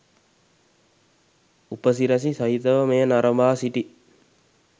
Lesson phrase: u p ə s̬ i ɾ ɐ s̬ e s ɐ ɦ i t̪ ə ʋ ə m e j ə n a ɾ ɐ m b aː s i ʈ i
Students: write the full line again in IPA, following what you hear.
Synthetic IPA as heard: u p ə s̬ i ɾ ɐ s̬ i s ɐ ɦ i t̪ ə ʋ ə m e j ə n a ɾ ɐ m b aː s i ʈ i